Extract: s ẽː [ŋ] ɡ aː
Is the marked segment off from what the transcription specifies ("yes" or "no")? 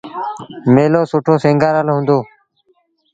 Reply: no